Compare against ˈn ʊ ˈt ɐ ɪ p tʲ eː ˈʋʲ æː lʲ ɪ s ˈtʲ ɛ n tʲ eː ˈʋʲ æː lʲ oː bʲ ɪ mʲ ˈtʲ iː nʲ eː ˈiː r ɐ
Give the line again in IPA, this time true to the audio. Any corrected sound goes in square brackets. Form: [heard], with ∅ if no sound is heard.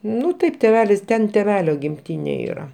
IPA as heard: ˈn ʊ ˈt ɐ ɪ p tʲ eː ˈʋʲ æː lʲ ɪ s ˈtʲ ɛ n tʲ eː ˈʋʲ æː lʲ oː [ɡʲ] ɪ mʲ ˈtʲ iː nʲ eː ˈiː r ɐ

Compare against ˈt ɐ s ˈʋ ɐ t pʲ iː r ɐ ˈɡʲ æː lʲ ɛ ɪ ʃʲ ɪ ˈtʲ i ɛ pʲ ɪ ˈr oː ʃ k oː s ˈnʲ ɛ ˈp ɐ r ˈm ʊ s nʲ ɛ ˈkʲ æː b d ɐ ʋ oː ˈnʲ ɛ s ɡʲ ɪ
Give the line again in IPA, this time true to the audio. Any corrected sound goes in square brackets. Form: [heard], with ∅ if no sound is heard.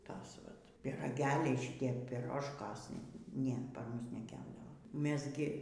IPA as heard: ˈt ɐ s ˈʋ ɐ t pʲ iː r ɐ ˈɡʲ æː lʲ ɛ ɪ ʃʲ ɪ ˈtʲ i ɛ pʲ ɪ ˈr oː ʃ k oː s ˈnʲ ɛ ˈp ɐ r ˈm ʊ s nʲ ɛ ˈkʲ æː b d ɐ ʋ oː [ˈmʲ] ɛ s ɡʲ ɪ

